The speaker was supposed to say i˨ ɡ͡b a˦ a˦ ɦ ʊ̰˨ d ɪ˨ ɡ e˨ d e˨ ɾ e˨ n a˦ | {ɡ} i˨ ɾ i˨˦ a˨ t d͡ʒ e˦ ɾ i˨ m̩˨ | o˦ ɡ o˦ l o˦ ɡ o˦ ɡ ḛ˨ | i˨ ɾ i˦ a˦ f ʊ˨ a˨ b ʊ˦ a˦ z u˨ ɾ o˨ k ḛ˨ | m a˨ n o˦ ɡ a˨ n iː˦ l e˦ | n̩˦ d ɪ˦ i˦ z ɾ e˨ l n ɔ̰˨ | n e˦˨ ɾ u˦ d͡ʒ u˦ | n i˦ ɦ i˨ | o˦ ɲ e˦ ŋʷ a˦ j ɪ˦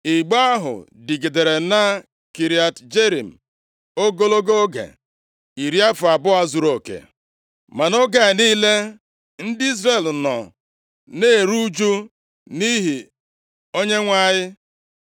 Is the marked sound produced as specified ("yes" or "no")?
no